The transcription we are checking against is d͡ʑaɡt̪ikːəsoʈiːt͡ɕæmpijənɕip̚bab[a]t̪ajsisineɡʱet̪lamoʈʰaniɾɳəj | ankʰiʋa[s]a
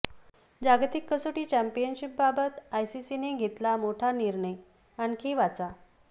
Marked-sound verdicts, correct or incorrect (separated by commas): incorrect, incorrect